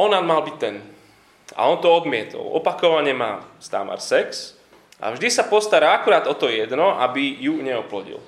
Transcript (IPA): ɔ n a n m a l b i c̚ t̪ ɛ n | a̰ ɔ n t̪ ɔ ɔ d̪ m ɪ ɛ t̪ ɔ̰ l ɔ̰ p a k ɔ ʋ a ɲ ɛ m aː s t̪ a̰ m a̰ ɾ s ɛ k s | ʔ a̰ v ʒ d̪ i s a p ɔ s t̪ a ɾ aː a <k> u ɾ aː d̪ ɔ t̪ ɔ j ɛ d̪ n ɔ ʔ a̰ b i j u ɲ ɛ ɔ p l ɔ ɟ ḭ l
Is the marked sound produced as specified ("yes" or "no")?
yes